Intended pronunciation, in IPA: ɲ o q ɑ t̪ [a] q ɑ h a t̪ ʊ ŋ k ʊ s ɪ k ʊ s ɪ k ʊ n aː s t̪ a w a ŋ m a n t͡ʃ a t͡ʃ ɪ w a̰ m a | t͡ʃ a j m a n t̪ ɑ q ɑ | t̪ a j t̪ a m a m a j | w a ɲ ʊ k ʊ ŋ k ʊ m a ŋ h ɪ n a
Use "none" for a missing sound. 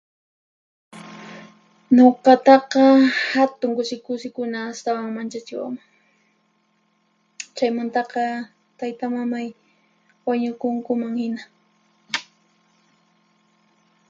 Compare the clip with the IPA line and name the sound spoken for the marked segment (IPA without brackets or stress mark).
ɑ